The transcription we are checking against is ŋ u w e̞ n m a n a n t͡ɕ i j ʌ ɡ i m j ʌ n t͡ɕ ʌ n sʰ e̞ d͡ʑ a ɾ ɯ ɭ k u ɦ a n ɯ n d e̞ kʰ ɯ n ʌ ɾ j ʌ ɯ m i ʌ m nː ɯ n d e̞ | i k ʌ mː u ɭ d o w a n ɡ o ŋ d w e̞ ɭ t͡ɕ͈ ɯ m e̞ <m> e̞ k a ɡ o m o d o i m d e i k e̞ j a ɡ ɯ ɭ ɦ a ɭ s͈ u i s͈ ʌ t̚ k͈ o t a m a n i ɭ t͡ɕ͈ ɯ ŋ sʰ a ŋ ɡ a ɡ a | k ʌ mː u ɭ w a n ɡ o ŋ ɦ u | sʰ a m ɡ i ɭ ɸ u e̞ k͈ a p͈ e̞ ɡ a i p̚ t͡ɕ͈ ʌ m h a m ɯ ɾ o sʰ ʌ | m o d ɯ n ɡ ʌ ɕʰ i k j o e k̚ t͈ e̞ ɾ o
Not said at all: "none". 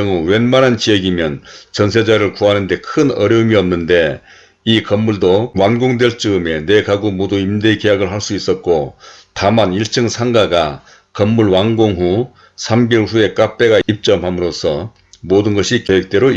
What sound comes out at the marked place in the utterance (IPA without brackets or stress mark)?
n